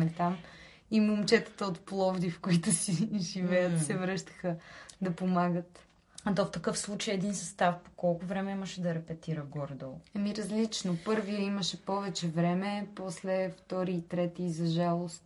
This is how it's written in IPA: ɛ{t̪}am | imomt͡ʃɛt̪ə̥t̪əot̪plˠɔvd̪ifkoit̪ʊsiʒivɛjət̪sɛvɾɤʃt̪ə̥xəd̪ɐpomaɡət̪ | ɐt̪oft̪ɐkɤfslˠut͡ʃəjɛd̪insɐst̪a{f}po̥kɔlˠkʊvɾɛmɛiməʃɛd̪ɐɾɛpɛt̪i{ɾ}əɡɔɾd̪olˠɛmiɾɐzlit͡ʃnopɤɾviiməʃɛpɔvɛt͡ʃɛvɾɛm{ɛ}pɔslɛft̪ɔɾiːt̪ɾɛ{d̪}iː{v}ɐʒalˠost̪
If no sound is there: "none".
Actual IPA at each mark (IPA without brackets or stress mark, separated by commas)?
t̪, f, ɾ, ɛ, t̪, z